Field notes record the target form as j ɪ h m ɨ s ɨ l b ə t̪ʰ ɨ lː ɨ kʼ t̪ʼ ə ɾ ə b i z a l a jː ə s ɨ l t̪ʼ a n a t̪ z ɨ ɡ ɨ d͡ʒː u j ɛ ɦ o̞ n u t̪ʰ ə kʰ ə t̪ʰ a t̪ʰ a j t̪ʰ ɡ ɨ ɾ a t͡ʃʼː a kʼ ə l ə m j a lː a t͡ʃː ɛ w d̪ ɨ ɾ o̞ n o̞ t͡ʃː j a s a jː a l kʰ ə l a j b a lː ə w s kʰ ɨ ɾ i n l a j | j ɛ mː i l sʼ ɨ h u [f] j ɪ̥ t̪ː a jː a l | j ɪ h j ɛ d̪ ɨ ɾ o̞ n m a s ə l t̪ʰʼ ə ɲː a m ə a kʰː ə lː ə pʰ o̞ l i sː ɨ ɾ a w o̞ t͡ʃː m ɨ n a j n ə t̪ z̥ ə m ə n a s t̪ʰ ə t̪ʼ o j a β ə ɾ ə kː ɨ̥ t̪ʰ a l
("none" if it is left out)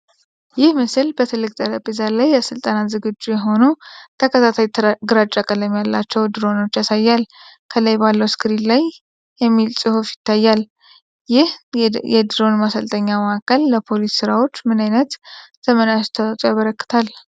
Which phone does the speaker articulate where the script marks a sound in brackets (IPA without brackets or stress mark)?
f